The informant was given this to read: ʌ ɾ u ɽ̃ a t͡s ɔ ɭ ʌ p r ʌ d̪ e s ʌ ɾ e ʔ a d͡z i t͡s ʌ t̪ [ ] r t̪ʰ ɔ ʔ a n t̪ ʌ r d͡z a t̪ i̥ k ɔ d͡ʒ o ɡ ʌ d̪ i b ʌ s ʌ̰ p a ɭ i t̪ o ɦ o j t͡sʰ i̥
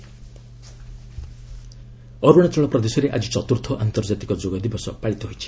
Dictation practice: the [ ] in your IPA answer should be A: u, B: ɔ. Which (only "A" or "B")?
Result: A